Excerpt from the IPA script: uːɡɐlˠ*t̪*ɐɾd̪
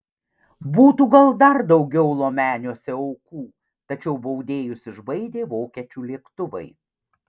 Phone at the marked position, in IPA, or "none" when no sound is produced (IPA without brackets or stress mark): d̪